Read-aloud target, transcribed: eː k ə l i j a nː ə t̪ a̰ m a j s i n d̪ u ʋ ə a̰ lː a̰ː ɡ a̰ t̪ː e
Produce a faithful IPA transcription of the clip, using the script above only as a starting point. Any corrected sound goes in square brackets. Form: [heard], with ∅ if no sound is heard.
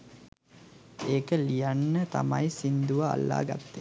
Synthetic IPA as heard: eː k ə l i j a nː ə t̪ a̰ m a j s i n d̪ u ʋ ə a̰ lː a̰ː ɡ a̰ t̪ː e